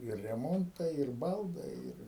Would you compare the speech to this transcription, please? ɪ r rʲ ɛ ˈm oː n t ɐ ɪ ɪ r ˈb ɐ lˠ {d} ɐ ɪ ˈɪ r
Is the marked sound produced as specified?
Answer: yes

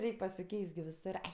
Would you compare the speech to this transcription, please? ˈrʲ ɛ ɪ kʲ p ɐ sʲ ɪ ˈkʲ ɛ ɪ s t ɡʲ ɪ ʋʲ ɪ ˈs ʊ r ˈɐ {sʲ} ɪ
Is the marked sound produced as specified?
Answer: no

